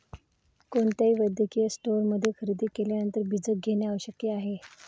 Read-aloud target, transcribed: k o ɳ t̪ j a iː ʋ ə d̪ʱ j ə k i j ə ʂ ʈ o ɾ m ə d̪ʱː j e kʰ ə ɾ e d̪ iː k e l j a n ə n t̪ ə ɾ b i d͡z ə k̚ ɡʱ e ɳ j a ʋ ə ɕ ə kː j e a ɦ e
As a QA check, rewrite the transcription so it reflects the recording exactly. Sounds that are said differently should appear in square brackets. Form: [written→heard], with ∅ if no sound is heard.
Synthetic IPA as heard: k o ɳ t̪ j a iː ʋ ə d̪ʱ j ə k i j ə [ʂ→s] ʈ o ɾ m ə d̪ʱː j e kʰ ə ɾ [e→i] d̪ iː k e l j a n ə n t̪ ə ɾ b i d͡z ə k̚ ɡʱ e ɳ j a ʋ ə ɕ ə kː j e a ɦ e